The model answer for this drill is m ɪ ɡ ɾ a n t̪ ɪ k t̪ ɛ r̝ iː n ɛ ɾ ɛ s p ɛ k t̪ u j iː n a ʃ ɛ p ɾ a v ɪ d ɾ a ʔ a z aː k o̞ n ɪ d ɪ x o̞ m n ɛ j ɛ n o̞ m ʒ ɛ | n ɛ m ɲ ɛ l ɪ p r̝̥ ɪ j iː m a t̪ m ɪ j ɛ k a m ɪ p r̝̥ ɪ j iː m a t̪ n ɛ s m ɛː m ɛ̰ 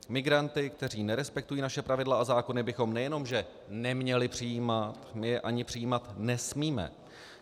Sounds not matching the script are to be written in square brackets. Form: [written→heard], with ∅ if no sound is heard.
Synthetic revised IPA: m ɪ ɡ ɾ a n t̪ ɪ k t̪ ɛ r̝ iː n ɛ ɾ ɛ s p ɛ k t̪ u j iː n a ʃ ɛ p ɾ a v ɪ d [ɾ→l] a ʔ a z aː k o̞ n ɪ [d→b] ɪ x o̞ m n ɛ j ɛ n o̞ m ʒ ɛ | n ɛ m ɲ ɛ l ɪ p r̝̥ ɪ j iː m a t̪ m ɪ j ɛ [k→ʔ] a [m→ɲ] ɪ p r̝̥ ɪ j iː m a t̪ n ɛ s m [ɛː→iː] m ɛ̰